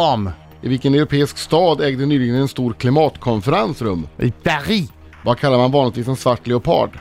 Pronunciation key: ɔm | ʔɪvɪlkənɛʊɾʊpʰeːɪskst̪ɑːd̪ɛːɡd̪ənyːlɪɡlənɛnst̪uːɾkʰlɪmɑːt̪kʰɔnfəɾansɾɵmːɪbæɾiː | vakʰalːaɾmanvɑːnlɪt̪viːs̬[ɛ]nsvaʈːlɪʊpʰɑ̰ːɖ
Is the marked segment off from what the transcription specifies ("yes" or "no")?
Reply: no